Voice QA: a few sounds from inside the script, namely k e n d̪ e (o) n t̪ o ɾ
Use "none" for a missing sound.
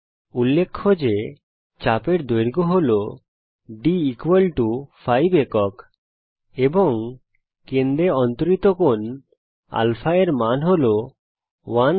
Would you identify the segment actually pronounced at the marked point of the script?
ɔ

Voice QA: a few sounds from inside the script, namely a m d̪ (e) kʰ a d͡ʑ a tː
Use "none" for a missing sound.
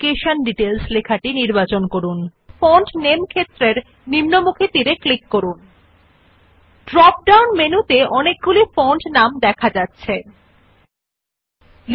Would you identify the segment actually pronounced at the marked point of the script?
ɛ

